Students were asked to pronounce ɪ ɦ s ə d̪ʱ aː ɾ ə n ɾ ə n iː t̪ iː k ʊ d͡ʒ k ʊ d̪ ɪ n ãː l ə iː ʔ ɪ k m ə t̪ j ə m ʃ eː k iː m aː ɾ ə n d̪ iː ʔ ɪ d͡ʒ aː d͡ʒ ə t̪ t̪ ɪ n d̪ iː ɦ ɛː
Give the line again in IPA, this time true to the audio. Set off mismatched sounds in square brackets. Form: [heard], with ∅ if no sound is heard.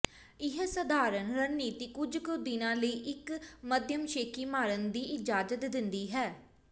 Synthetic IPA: ɪ ɦ s ə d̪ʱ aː ɾ ə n ɾ ə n iː t̪ iː k ʊ d͡ʒ k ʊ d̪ ɪ n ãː l ə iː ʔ ɪ k m ə [d̪] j ə m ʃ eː k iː m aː ɾ ə n d̪ iː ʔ ɪ d͡ʒ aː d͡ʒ ə t̪ [d̪] ɪ n d̪ iː ɦ ɛː